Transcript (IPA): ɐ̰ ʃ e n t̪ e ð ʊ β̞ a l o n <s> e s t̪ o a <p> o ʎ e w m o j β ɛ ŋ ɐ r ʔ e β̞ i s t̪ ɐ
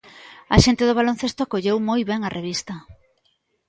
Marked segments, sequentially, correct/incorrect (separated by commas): incorrect, incorrect